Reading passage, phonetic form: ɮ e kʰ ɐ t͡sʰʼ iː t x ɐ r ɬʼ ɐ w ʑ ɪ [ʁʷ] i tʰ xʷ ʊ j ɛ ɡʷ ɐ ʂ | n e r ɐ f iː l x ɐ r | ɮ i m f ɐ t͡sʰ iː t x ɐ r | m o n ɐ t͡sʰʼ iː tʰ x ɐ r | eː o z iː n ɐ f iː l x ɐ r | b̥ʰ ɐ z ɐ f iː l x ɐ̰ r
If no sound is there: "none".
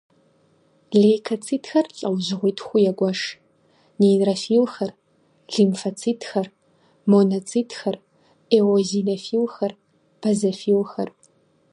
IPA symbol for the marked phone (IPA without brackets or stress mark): ʁʷ